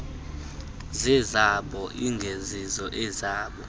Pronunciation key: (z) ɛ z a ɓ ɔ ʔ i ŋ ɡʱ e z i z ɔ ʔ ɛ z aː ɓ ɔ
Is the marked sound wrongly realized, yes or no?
no